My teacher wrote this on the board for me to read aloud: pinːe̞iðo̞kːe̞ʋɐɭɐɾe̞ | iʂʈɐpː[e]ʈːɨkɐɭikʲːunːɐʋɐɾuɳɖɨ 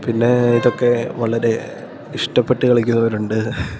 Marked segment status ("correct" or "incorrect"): correct